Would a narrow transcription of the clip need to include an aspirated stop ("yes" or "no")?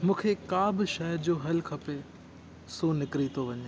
yes